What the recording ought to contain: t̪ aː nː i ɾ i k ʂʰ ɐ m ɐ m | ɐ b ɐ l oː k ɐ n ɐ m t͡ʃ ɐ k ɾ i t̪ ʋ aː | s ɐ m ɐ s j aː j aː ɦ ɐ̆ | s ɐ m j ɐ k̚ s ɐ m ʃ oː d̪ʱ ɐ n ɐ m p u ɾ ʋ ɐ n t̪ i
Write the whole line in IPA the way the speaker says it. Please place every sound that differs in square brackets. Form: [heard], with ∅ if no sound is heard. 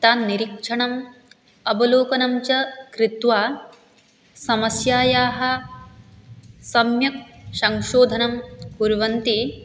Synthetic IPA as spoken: t̪ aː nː i ɾ i k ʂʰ ɐ [ɳ] ɐ m | ɐ b ɐ l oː k ɐ n ɐ m t͡ʃ ɐ k ɾ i t̪ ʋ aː | s ɐ m ɐ s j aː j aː ɦ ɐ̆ | s ɐ m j ɐ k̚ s ɐ [ŋ] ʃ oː d̪ʱ ɐ n ɐ m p u ɾ ʋ ɐ n t̪ i